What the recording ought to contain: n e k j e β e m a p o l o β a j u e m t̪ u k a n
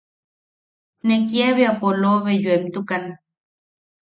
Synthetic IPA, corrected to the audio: n e k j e β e a p o l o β e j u e m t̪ u k a n